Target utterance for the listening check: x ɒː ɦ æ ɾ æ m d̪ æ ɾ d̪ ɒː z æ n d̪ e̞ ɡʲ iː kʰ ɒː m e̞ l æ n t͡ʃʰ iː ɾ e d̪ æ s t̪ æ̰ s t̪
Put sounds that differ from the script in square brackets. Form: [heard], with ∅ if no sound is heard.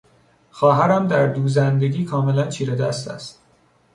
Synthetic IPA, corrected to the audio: x ɒː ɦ æ ɾ æ m d̪ æ ɾ d̪ [uː] z æ n d̪ e̞ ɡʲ iː kʰ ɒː m e̞ l æ n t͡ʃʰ iː ɾ e d̪ æ s t̪ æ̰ s t̪